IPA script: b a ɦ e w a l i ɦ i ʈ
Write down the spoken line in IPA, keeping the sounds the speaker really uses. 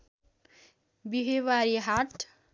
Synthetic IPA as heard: b i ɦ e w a ɾ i ɦ a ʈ